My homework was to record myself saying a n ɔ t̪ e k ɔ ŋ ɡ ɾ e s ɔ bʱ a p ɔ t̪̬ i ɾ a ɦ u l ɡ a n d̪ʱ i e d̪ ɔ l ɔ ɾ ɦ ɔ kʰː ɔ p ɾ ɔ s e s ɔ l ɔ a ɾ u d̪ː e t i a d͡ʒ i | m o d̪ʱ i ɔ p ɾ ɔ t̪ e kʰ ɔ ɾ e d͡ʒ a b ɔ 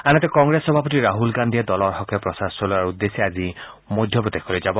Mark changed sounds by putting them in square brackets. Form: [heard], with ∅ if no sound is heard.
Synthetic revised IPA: a n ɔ t̪ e k ɔ ŋ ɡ ɾ e s ɔ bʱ a p ɔ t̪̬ i ɾ a ɦ u l ɡ a n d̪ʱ i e d̪ ɔ l ɔ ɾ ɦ ɔ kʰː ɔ p ɾ ɔ s [a] s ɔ l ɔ a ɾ u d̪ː e [s] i a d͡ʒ i | m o d̪ʱ [j] ɔ p ɾ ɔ t̪ e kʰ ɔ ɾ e d͡ʒ a b ɔ